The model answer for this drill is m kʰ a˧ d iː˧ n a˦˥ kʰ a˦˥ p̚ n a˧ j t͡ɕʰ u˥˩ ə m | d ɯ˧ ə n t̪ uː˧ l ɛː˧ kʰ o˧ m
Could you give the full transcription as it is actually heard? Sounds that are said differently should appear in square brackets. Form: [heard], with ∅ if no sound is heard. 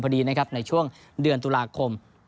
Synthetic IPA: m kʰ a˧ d iː˧ n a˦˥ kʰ a˦˥ p̚ n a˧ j t͡ɕʰ u˥˩ ə [ŋ] | d ɯ˧ ə n t̪ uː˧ l [aː˧] kʰ o˧ m